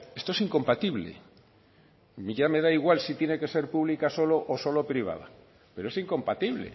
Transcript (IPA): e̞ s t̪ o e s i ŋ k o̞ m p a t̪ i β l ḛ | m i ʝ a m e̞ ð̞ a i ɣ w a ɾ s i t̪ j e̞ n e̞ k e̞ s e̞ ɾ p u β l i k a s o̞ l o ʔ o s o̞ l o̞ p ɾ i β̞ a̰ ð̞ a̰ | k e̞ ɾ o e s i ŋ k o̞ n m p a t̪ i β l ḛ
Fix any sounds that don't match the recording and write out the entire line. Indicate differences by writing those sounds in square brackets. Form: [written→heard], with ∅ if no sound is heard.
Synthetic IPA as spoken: e̞ s t̪ o e s i ŋ k o̞ m p a t̪ i β l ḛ | m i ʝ a m e̞ ð̞ a i ɣ w a [ɾ→l] s i t̪ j e̞ n e̞ k e̞ s e̞ ɾ p u β l i k a s o̞ l o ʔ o s o̞ l o̞ p ɾ i β̞ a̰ ð̞ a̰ | [k→p] e̞ ɾ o e s i ŋ k o̞ [n→∅] m p a t̪ i β l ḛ